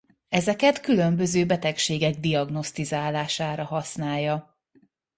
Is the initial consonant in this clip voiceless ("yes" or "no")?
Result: no